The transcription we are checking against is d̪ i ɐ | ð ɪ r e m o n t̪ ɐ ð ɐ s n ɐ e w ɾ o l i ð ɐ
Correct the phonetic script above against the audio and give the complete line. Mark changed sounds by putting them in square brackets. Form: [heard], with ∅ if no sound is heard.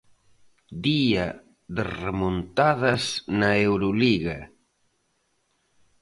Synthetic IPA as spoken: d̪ i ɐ | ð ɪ r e m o n t̪ [a] ð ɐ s n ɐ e w ɾ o l i [ɣ] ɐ

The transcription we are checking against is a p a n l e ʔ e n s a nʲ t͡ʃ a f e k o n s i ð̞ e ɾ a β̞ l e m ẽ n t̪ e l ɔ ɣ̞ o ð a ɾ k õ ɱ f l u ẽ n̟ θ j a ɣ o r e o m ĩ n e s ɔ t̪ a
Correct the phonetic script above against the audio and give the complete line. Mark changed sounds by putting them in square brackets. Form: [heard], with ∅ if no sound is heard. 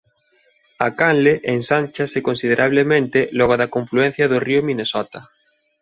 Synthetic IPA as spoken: a [k] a n l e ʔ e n s a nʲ t͡ʃ a [s] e k o n s i ð̞ e ɾ a β̞ l e m ẽ n t̪ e l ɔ ɣ̞ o ð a [∅] k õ ɱ f l u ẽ n̟ θ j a [ð] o r [i] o m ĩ n e s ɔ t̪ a

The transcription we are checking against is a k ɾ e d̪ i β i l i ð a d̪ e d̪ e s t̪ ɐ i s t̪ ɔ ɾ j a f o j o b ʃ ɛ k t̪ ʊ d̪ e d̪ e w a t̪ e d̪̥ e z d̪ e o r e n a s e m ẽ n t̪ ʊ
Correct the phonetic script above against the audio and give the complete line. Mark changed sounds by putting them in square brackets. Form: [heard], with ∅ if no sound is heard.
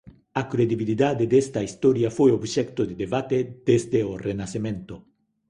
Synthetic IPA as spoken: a k ɾ e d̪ i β i l i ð a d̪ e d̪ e s t̪ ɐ i s t̪ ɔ ɾ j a f o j o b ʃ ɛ k t̪ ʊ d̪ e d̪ e [β] a t̪ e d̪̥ e z d̪ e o r e n a s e m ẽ n t̪ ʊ

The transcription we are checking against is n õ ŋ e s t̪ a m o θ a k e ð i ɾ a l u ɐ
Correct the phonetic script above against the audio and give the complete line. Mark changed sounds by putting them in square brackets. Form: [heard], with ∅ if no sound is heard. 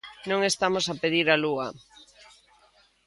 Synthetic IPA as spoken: n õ ŋ e s t̪ a m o [s] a [p] e ð i ɾ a l u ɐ

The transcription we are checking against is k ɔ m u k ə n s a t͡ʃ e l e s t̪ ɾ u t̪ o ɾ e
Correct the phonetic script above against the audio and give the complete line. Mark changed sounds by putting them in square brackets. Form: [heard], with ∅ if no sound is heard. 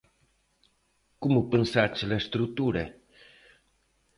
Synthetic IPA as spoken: k [u] m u [p] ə n s a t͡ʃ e l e s t̪ ɾ u t̪ [u] ɾ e

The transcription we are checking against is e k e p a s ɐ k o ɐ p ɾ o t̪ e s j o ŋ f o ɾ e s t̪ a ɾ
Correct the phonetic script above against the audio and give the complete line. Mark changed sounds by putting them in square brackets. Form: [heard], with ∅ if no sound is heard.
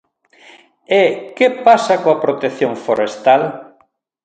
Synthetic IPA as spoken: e k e p a s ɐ k o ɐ p ɾ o t̪ e [θ] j o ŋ f o ɾ e s t̪ a [l]

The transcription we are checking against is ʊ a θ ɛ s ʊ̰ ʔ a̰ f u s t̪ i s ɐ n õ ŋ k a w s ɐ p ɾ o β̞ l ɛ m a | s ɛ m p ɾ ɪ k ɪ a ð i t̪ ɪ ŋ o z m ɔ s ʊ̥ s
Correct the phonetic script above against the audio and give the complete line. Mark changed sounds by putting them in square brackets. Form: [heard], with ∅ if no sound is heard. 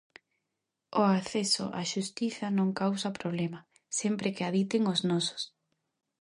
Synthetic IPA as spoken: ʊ a θ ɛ s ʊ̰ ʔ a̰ [ʃ] u s t̪ i [θ] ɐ n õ ŋ k a w s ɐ p ɾ o β̞ l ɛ m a | s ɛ m p ɾ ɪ k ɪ a ð i t̪ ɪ ŋ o z [n] ɔ s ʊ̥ s

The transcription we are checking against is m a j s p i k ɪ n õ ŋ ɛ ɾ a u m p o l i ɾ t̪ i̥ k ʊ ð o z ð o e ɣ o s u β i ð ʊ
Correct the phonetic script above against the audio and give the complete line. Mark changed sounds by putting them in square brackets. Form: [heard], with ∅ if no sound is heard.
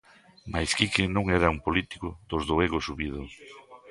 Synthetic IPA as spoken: m a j s [k] i k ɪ n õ ŋ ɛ ɾ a u m p o l i [∅] t̪ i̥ k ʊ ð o z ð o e ɣ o s u β i ð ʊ

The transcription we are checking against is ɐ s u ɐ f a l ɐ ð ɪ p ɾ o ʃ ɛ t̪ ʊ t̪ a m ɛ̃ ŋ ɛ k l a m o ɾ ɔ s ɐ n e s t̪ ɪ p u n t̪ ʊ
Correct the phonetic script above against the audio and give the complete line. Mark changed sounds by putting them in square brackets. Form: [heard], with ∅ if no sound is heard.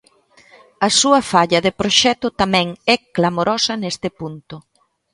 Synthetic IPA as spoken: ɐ s u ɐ f a [ʎ] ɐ ð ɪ p ɾ o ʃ ɛ t̪ ʊ t̪ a m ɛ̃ ŋ ɛ k l a m o ɾ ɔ s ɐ n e s t̪ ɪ p u n t̪ ʊ

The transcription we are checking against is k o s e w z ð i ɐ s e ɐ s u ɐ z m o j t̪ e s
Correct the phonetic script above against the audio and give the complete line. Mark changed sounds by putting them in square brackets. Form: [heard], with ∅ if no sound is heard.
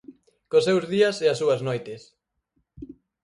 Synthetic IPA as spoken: k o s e w z ð i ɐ s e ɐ s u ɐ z [n] o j t̪ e s

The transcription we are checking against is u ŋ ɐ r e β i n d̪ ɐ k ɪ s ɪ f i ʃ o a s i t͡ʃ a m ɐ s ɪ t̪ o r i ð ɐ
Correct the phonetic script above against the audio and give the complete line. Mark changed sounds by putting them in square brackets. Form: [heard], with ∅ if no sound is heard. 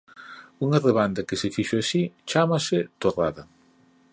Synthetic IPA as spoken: u ŋ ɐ r e β [a] n d̪ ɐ k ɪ s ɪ f i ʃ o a s i t͡ʃ a m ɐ s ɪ t̪ o r [a] ð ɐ

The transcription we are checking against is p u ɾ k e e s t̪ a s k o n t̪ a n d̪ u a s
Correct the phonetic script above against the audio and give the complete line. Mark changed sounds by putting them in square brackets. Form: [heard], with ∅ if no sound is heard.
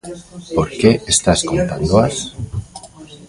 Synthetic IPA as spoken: p [o] ɾ k e e s t̪ a s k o n t̪ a n d̪ [o] a s

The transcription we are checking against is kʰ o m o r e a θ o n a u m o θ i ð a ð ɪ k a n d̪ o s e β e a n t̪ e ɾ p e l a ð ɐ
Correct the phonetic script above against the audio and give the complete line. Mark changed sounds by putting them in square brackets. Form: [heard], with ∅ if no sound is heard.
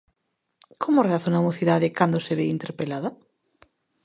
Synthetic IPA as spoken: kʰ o m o r e a θ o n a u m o θ i ð a ð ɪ k a n d̪ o s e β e [i] n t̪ e ɾ p e l a ð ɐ

